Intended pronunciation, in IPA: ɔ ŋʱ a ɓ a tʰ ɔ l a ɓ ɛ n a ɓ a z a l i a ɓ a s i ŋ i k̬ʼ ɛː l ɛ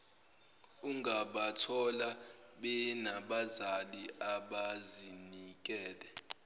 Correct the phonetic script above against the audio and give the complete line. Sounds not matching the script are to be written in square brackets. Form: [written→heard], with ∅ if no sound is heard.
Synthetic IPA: [ɔ→u] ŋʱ a ɓ a tʰ ɔ l a ɓ ɛ n a ɓ a z a l i a ɓ a [s→z] i [ŋ→n] i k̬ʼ ɛː l ɛ